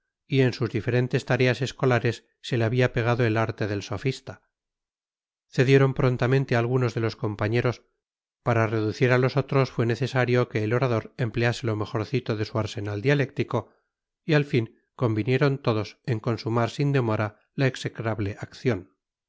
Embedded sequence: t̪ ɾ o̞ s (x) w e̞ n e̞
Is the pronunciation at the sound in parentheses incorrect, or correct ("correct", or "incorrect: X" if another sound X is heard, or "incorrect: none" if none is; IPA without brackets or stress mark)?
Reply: incorrect: f